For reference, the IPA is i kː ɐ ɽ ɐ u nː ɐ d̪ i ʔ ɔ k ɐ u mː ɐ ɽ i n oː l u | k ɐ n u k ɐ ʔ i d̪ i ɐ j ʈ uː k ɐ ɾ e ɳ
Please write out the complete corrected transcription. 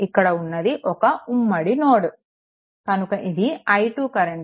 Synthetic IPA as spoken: i kː ɐ ɽ ɐ u nː ɐ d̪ i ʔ ɔ k ɐ u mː ɐ ɽ i n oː ɽ u | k ɐ n u k ɐ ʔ i d̪ i ɐ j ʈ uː k ɐ ɾ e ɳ